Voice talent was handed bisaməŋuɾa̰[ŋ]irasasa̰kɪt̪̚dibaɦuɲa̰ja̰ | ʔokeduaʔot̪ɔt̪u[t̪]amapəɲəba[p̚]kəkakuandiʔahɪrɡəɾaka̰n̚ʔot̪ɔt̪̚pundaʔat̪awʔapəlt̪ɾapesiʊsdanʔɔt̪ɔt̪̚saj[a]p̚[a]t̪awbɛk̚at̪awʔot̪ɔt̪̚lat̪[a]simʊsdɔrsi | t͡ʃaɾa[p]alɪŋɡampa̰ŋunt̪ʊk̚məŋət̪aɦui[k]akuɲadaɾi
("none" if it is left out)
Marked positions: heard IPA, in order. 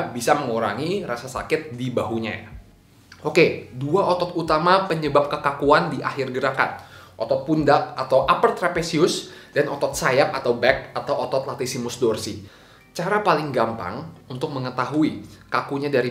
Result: ŋ, t̪, p̚, a, a, i, p, k

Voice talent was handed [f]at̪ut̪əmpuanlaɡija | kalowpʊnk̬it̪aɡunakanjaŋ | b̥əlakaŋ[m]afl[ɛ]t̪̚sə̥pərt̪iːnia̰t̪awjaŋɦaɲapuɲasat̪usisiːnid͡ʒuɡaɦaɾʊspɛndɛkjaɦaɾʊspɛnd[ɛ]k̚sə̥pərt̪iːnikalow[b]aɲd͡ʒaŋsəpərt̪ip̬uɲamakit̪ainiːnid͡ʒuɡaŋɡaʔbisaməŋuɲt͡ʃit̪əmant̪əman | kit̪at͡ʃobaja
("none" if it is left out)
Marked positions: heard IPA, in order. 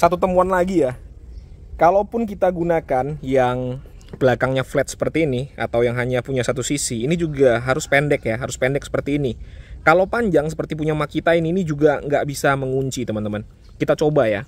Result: s, ɲ, ɛ, ɛ, p

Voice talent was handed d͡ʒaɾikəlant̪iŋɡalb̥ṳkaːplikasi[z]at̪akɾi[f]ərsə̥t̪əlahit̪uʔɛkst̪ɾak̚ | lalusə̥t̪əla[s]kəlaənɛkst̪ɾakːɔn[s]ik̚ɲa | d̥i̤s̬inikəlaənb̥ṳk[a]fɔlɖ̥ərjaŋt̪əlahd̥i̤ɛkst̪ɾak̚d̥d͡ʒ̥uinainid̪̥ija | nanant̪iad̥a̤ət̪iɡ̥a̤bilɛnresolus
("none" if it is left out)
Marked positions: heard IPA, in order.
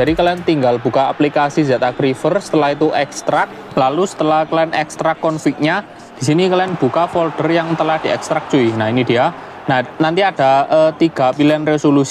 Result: z, f, h, f, a

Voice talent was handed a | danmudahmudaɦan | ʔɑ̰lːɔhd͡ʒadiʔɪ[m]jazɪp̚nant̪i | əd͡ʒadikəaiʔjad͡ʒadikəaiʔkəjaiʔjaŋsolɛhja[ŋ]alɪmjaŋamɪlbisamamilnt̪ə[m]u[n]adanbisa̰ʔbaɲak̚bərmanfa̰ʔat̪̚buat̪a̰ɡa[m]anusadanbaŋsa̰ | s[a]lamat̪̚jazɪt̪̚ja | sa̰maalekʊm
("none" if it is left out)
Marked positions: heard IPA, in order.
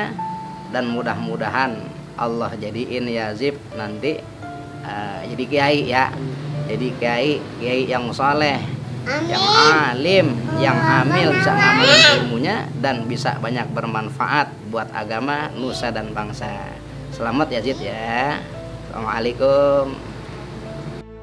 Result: n, ŋ, m, ɲ, m, ə

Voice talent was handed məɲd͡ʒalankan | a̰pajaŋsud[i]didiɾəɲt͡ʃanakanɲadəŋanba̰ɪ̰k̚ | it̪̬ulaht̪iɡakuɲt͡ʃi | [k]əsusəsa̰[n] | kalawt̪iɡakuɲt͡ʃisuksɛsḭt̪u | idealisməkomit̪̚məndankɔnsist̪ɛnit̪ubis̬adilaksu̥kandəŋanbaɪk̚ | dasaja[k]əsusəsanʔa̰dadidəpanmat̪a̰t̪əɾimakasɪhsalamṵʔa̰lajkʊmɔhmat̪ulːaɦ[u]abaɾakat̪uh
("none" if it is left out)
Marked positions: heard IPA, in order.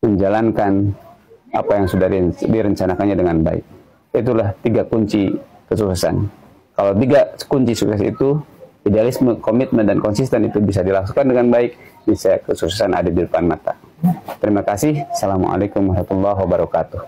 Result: a, k, n, k, w

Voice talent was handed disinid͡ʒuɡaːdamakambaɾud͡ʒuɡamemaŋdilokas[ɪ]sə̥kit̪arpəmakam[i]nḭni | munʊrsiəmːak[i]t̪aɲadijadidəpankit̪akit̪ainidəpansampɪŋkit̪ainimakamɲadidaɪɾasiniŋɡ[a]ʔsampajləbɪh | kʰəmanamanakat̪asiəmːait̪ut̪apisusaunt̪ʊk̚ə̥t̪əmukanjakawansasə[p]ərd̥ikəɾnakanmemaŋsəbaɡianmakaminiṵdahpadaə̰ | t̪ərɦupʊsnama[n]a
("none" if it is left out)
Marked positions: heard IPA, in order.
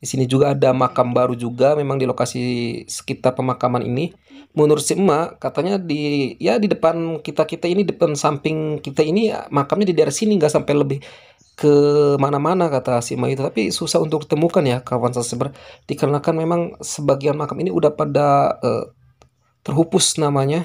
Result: i, a, a, a, b, ɲ

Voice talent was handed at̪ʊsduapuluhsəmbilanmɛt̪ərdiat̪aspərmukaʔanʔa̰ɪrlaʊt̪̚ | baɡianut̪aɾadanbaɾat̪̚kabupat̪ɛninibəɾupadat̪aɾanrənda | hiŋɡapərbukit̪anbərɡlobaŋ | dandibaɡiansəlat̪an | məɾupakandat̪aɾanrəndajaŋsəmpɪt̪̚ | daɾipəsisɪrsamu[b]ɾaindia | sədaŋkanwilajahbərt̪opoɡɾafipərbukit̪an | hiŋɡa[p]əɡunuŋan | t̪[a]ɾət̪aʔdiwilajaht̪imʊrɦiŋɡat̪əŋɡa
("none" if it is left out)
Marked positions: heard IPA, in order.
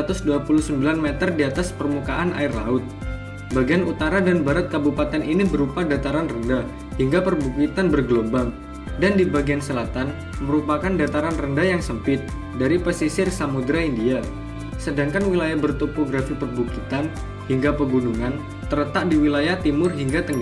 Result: d, p, ə

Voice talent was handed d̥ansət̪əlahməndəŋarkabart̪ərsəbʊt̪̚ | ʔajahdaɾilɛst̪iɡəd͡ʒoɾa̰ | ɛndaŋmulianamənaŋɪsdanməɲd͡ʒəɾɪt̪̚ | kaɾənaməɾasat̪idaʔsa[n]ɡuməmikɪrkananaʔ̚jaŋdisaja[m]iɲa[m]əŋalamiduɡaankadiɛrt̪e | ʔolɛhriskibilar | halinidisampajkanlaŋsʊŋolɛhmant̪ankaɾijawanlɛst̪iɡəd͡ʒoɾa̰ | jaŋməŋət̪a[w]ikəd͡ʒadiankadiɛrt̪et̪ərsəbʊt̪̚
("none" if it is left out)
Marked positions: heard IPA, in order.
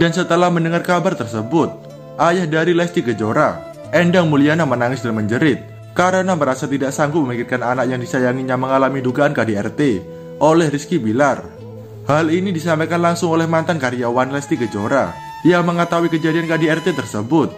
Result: ŋ, ŋ, m, w

